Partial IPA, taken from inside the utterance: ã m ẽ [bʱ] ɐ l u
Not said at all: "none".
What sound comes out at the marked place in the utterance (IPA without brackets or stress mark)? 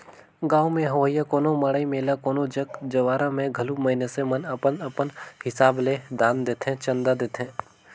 ɡʱ